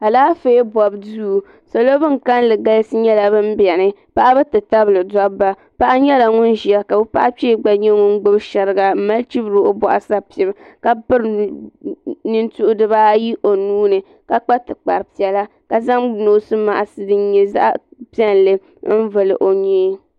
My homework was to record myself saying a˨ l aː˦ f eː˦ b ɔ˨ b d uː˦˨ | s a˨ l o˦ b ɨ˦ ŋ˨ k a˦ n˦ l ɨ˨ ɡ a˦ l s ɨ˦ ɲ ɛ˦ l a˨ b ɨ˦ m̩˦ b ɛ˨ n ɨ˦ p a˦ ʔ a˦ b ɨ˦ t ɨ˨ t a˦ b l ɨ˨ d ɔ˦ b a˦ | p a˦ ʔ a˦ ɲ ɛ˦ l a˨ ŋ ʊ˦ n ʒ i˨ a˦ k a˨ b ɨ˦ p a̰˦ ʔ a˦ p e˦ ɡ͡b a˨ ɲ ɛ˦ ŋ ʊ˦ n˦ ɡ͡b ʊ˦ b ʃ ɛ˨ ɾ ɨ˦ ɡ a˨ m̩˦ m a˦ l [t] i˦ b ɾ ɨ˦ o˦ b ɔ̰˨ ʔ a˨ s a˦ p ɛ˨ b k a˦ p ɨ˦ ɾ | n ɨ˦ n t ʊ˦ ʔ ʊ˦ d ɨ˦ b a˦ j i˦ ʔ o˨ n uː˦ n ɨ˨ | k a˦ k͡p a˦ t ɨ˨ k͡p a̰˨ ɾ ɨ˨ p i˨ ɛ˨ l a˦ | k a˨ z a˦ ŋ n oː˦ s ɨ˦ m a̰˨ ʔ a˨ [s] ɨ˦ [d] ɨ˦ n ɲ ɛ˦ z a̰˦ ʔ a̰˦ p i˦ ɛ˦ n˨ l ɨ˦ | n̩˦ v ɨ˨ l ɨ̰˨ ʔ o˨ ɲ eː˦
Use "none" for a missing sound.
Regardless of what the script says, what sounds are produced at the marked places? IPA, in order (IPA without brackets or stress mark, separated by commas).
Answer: t͡ʃ, s, d